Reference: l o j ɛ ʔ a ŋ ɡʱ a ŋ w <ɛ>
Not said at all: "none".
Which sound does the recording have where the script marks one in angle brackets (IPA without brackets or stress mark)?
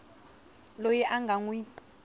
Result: i